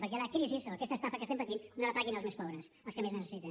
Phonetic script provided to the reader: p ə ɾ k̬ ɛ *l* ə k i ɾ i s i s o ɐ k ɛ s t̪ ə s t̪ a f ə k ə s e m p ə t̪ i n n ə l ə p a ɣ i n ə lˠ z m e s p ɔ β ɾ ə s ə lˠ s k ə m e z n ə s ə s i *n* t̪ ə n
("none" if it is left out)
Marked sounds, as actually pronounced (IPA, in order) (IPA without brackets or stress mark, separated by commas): l, none